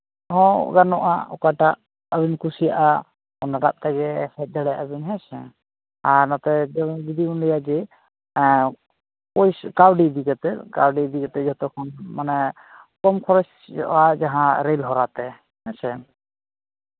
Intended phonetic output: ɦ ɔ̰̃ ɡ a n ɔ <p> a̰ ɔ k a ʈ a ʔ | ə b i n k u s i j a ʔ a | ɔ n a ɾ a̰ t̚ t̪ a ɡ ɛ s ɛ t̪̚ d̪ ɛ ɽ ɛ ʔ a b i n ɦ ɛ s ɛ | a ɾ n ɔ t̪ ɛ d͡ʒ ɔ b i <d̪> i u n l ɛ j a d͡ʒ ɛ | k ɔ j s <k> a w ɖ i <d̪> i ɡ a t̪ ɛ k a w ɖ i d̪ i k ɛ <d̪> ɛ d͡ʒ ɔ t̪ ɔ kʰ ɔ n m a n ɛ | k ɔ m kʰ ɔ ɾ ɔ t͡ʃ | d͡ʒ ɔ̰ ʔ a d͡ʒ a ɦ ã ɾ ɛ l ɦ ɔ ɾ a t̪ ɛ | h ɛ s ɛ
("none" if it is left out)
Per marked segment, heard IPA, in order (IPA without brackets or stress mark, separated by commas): ʔ, d̪, k, d̪, t̪